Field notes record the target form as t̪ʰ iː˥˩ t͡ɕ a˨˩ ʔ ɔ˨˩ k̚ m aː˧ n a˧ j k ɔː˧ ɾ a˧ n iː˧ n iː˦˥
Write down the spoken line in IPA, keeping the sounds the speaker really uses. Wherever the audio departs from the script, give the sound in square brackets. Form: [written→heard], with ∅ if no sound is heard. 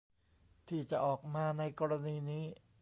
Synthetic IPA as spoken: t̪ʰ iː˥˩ t͡ɕ a˨˩ ʔ [ɔ˨˩→ɔː˨˩] k̚ m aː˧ n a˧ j k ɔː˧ ɾ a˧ n iː˧ n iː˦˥